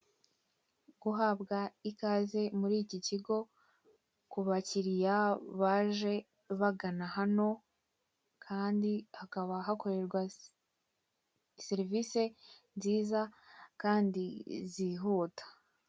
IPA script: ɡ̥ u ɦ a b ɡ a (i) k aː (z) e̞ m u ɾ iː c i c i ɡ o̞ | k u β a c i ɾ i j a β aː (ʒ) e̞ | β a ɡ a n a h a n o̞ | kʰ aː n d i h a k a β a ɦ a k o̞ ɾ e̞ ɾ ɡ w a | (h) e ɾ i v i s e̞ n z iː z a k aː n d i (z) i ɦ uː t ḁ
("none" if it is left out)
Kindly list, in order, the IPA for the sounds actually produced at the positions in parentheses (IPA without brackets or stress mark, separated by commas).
i, z, ʒ, s, z